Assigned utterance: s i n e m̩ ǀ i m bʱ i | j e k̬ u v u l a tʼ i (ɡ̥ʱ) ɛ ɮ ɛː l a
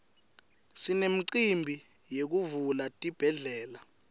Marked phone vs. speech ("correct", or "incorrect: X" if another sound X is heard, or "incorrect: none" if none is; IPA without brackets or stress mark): incorrect: b̥ʱ